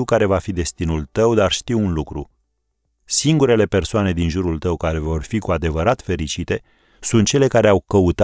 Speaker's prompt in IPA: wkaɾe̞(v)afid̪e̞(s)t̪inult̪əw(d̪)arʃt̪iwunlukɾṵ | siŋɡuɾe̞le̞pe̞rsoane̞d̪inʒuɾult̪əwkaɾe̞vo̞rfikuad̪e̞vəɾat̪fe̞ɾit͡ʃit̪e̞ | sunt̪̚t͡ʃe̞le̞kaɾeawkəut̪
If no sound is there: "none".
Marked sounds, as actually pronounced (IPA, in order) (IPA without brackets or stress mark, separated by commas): v, s, d̪